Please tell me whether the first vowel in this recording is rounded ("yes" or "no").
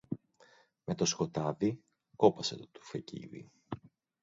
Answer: no